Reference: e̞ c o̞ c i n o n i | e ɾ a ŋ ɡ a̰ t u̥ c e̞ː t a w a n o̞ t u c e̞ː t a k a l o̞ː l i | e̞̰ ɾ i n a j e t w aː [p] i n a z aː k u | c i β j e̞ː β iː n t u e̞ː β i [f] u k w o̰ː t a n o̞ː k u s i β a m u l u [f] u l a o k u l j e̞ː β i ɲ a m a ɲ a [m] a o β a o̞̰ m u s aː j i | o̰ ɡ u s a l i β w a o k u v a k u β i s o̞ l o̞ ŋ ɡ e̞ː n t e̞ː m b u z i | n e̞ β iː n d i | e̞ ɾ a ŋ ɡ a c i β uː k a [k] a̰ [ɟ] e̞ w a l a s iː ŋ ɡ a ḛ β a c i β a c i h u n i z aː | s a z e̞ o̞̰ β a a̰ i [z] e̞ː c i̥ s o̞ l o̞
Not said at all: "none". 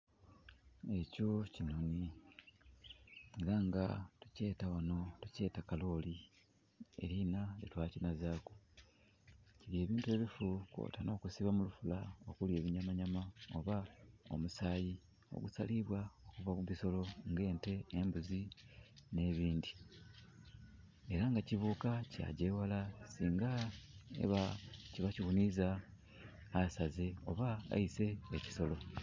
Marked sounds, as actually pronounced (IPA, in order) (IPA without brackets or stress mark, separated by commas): c, f, f, m, c, ɟ, s